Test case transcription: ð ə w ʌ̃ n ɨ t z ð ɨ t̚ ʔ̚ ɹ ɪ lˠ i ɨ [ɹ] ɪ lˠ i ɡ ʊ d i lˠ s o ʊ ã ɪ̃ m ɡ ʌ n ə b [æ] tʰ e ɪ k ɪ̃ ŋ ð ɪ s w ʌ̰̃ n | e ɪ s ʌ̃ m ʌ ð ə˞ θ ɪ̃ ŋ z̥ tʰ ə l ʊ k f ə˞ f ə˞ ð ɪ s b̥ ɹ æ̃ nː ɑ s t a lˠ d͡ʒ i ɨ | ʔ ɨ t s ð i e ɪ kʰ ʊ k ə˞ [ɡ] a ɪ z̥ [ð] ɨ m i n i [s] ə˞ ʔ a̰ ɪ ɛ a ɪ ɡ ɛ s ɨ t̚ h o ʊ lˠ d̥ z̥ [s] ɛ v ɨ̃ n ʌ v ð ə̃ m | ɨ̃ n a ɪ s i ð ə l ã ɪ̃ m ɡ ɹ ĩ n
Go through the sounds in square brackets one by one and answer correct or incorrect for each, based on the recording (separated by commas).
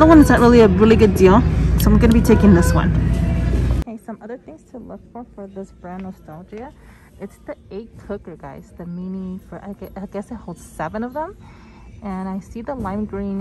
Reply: correct, incorrect, correct, correct, incorrect, correct